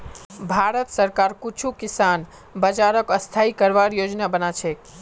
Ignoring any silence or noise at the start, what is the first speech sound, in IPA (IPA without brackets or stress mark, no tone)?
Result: bʱ